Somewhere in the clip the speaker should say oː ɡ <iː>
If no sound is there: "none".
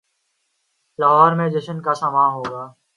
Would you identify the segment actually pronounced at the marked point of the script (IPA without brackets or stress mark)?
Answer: aː